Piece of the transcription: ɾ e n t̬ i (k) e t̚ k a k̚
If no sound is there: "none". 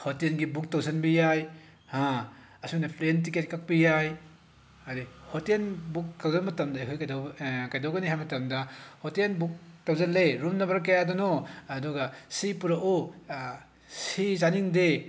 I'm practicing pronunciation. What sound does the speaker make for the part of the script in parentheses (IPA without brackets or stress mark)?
k